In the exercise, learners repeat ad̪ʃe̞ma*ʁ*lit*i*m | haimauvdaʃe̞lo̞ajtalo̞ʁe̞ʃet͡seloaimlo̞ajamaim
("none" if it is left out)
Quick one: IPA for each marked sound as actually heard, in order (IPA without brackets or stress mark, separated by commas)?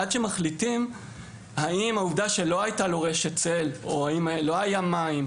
χ, i